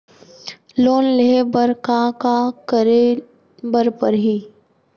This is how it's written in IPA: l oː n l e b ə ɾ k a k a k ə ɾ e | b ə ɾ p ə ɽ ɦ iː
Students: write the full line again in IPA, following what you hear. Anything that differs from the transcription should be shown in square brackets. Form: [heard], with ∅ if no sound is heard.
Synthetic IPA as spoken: l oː n l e b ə ɾ k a k a k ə ɾ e | b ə ɾ p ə [ɾ] ɦ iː